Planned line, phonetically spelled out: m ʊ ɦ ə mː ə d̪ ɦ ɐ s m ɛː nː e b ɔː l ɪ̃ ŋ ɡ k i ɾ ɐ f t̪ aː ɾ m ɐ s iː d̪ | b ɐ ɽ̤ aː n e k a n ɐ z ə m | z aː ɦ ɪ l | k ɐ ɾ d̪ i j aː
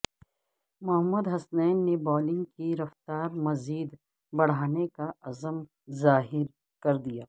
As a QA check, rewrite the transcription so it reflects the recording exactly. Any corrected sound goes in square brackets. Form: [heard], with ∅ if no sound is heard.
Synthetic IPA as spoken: m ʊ ɦ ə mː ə d̪ ɦ ɐ s [n] ɛː nː e b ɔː l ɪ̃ ŋ ɡ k i ɾ ɐ f t̪ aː ɾ m ɐ [z] iː d̪ | b ɐ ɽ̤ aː n e k a [∅] ɐ z ə m | z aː ɦ ɪ [ɾ] | k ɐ ɾ d̪ i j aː